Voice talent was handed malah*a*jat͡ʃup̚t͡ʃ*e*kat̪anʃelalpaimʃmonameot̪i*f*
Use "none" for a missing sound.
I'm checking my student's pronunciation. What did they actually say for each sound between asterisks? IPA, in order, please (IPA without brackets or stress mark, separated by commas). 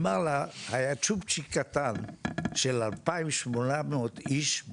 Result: a, i, ʃ